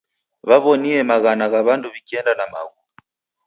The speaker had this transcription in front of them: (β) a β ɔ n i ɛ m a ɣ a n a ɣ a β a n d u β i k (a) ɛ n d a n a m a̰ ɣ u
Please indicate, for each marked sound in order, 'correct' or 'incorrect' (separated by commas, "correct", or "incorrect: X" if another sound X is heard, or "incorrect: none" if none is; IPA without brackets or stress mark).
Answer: correct, incorrect: i